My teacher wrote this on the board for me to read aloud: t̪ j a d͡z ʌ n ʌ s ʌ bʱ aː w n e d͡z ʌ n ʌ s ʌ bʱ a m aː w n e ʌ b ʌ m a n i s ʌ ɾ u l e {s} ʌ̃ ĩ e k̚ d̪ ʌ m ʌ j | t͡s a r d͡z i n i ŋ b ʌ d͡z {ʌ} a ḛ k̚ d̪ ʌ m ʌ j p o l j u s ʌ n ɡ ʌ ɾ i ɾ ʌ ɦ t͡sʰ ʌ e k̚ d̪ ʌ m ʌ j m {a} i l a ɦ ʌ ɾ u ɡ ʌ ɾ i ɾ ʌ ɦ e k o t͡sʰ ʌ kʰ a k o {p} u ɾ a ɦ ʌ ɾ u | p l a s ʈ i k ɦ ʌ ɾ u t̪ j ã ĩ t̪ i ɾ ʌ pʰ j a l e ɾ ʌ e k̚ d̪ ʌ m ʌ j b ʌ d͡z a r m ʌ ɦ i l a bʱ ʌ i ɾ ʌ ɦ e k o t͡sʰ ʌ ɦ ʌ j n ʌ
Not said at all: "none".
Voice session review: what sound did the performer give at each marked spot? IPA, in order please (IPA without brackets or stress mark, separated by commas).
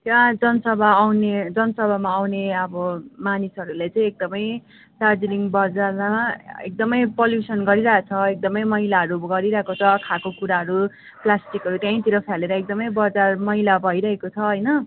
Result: t͡s, a, ʌ, k